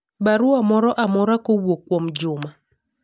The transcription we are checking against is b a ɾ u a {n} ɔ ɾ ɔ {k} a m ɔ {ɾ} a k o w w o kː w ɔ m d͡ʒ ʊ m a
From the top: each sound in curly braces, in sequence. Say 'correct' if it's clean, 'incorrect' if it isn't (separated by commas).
incorrect, incorrect, correct